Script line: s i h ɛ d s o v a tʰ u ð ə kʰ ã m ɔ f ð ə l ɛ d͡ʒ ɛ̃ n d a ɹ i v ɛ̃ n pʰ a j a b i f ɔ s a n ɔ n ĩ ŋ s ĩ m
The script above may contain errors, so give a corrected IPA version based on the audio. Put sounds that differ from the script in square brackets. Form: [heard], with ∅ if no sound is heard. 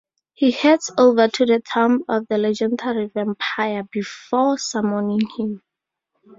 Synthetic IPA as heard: [h] i h ɛ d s o v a tʰ u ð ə [tʰ] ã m ɔ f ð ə l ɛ d͡ʒ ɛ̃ n d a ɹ i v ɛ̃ [m] pʰ a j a b i f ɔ s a [m] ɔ n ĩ ŋ [h] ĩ m